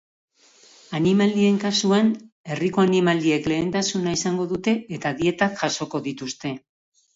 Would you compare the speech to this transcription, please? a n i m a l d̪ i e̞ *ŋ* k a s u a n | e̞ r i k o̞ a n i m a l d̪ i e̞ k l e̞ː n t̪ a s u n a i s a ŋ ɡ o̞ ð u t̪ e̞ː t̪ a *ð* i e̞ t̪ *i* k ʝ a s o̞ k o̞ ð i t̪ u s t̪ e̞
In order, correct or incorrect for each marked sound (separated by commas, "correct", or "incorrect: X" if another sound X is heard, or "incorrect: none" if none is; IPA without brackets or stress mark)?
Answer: correct, correct, incorrect: a